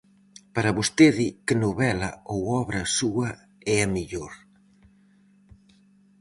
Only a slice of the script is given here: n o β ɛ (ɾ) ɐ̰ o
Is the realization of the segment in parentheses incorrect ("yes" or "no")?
yes